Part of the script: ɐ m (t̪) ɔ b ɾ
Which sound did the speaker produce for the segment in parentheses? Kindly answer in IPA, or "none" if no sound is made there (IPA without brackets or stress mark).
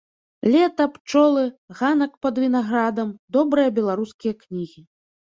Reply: d̪